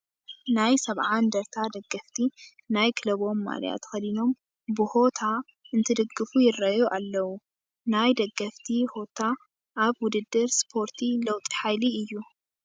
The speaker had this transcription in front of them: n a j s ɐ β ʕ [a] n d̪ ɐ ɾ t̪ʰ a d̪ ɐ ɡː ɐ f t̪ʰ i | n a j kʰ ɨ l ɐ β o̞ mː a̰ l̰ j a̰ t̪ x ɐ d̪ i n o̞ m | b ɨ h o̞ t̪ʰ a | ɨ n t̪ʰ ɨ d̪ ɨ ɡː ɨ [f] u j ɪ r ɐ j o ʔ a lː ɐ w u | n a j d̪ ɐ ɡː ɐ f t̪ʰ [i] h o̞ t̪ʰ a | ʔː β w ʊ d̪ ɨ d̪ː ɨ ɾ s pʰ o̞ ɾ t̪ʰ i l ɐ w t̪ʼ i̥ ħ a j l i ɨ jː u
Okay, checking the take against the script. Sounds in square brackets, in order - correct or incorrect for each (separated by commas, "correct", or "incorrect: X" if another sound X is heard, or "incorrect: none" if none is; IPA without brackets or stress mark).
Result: correct, correct, correct